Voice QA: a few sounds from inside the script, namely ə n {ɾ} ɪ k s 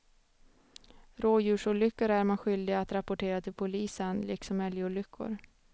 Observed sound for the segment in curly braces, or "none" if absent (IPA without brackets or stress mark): l